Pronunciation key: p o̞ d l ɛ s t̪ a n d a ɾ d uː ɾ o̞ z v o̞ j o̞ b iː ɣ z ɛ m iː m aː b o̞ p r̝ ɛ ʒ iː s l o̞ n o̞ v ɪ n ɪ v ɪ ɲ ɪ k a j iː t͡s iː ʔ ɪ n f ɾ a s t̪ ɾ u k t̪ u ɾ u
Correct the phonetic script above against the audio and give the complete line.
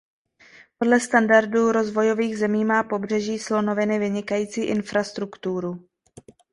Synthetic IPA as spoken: p o̞ d l ɛ s t̪ a n d a ɾ d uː ɾ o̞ z v o̞ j o̞ v iː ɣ z ɛ m iː m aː p o̞ b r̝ ɛ ʒ iː s l o̞ n o̞ v ɪ n ɪ v ɪ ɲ ɪ k a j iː t͡s iː ʔ ɪ n f ɾ a s t̪ ɾ u k t̪ u ɾ u